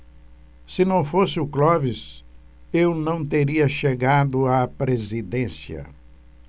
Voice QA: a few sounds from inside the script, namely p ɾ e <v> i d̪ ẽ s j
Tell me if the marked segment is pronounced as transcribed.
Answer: no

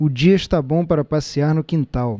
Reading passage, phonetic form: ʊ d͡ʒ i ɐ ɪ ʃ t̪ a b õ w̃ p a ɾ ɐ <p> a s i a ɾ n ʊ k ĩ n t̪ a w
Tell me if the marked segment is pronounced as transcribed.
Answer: yes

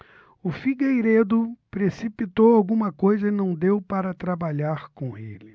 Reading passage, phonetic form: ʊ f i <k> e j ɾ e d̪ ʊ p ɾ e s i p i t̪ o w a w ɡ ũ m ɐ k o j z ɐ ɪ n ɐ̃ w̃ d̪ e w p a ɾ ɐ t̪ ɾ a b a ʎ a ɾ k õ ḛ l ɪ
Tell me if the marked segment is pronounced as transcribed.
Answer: no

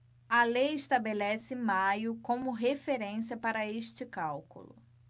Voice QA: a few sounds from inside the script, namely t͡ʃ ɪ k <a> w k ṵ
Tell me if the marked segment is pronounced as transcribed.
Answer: yes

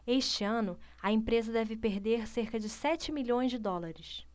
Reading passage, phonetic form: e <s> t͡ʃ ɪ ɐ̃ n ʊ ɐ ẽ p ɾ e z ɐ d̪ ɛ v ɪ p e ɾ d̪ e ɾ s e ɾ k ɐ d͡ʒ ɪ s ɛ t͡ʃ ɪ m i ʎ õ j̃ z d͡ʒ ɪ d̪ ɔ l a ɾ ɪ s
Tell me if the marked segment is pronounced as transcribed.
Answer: no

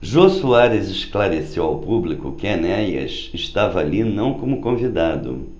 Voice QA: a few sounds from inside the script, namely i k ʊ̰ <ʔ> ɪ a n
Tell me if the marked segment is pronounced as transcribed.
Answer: no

